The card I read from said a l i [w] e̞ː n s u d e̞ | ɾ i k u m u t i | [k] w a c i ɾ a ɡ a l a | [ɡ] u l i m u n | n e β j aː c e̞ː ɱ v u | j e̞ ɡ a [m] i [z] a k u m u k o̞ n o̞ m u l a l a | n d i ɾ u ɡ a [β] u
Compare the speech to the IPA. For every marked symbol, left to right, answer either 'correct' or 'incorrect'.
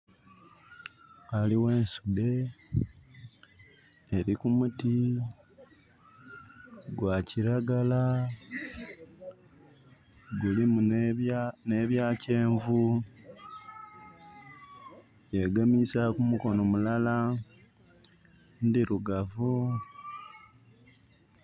correct, incorrect, correct, correct, incorrect, incorrect

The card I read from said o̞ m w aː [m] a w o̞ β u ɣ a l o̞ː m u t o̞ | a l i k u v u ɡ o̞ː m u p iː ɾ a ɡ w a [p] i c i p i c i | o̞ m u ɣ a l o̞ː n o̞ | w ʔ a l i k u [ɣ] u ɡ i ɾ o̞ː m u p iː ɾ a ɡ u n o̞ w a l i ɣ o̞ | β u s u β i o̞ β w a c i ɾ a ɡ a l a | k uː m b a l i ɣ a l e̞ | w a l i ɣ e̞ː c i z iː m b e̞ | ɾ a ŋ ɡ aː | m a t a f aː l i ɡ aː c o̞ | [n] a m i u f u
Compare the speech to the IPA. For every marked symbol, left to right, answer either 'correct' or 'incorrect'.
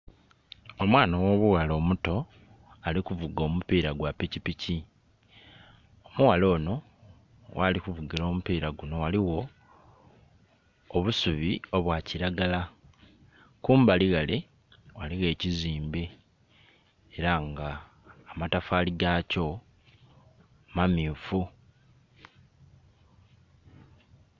incorrect, correct, incorrect, incorrect

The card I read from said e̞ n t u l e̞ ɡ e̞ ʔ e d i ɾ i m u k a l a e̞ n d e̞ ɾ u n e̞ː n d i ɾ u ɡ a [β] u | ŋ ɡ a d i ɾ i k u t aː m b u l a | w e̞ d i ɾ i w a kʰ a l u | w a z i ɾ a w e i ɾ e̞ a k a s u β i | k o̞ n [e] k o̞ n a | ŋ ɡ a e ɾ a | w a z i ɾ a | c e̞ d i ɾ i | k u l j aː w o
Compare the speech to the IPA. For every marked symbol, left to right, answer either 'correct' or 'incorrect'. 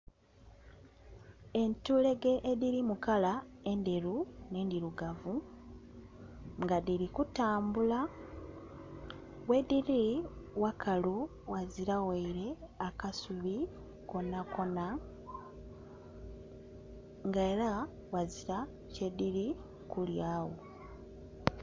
incorrect, incorrect

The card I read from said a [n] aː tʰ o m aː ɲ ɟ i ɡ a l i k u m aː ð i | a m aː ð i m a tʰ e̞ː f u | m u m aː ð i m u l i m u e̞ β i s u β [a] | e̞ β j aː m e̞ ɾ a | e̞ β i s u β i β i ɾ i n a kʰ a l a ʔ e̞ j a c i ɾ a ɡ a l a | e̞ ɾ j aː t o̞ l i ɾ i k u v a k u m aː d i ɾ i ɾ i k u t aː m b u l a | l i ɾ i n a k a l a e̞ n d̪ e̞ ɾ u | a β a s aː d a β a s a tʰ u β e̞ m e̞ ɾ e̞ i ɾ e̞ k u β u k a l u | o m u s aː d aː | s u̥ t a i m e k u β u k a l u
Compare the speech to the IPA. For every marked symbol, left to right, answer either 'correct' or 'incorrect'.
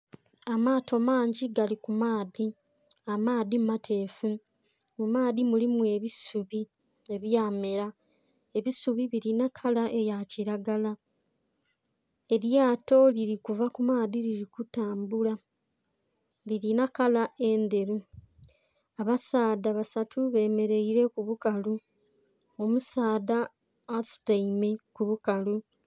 incorrect, incorrect

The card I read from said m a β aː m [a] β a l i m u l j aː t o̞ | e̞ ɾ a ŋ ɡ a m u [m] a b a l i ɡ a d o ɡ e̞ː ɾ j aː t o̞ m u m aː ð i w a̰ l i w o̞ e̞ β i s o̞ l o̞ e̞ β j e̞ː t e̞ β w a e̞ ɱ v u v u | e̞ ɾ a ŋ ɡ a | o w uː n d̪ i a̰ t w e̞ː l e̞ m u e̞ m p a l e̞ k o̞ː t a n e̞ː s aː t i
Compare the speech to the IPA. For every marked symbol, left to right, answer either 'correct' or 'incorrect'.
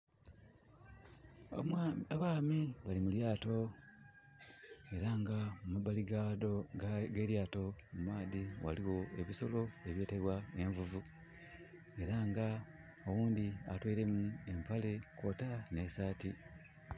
incorrect, correct

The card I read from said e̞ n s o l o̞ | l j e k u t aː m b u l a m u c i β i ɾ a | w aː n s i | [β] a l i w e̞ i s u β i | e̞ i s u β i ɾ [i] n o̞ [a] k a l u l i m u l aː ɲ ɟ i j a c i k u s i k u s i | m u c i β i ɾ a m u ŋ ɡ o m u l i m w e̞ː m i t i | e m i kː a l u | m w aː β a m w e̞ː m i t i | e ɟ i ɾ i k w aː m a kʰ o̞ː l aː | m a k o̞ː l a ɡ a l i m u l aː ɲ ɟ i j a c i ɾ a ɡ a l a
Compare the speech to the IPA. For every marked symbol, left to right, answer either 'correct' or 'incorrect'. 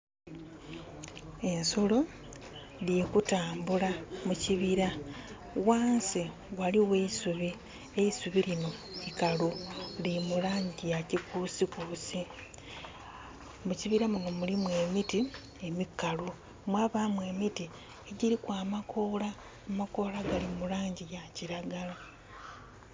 incorrect, correct, incorrect

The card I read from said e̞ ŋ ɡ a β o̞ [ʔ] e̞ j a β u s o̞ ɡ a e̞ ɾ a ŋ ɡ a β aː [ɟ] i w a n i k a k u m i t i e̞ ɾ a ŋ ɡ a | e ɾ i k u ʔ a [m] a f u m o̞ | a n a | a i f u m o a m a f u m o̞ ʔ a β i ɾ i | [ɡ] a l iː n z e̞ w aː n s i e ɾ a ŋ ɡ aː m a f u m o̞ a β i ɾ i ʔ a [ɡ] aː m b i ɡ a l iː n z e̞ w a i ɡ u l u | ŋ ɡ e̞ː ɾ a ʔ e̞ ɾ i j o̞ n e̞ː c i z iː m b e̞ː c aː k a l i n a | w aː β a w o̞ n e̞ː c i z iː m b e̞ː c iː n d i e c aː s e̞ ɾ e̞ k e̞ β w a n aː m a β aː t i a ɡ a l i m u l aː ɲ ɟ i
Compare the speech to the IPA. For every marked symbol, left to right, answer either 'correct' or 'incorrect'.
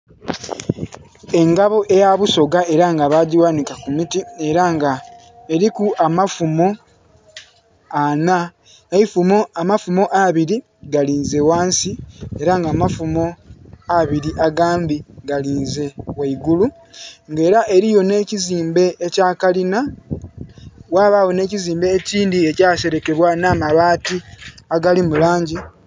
correct, correct, correct, correct, correct

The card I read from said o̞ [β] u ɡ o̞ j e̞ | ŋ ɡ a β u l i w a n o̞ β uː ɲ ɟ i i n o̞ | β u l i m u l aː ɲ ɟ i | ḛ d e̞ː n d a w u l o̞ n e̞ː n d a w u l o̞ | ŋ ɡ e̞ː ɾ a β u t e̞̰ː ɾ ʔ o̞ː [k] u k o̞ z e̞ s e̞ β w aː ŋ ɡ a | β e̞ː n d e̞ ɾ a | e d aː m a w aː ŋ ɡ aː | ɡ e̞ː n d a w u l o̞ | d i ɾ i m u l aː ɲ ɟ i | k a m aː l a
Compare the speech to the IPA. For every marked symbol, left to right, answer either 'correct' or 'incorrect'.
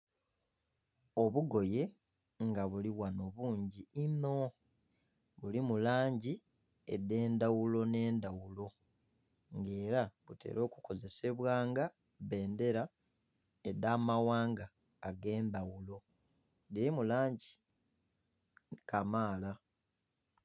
correct, correct

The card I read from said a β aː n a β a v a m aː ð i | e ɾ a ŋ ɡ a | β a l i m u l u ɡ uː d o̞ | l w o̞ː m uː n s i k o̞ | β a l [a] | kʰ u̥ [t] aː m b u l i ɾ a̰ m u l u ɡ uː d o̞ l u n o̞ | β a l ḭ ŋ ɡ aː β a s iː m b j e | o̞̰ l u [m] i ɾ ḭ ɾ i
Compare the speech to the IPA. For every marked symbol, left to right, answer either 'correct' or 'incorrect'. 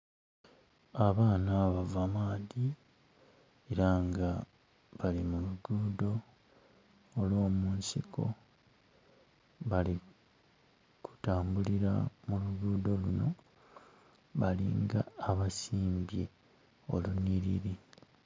incorrect, correct, incorrect

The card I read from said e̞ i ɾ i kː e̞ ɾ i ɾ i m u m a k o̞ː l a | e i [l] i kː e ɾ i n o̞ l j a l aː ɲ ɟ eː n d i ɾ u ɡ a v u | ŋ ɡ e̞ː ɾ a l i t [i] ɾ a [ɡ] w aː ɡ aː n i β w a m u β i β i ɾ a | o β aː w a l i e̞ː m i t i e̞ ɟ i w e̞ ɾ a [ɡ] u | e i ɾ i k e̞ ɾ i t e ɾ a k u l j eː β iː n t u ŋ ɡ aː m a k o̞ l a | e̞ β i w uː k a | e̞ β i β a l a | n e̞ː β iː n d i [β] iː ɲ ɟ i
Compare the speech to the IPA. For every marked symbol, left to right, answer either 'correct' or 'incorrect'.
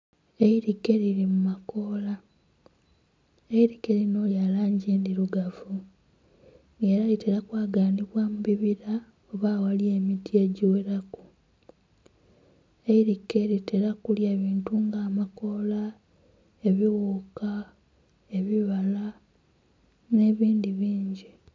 incorrect, incorrect, incorrect, incorrect, correct

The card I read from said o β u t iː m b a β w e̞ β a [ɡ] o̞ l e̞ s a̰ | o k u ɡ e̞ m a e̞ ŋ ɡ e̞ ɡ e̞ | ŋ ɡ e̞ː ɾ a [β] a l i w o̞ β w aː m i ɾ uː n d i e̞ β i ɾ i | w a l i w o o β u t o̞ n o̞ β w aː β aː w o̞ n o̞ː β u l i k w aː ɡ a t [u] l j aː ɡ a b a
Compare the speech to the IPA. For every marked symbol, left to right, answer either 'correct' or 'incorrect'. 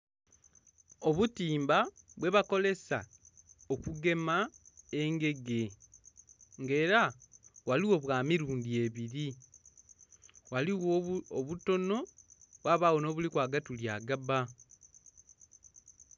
incorrect, incorrect, correct

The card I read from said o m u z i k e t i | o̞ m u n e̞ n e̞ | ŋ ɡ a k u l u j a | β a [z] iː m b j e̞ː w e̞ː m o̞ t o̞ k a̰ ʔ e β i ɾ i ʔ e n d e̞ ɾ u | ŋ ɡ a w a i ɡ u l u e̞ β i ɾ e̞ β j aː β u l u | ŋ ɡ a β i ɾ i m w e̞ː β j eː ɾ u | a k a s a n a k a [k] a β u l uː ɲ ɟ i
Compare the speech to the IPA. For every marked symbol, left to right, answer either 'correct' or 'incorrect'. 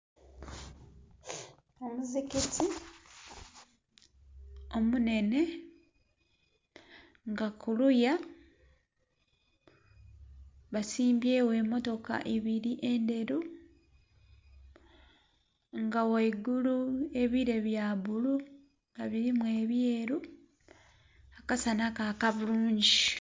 incorrect, correct

